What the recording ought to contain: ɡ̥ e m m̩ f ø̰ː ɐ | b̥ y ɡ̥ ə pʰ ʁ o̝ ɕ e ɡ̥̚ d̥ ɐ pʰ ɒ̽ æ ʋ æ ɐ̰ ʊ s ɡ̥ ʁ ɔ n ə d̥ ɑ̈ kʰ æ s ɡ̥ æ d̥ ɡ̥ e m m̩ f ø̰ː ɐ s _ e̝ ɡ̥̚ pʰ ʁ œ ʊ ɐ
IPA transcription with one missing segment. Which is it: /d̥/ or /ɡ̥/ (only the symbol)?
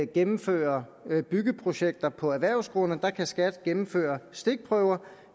d̥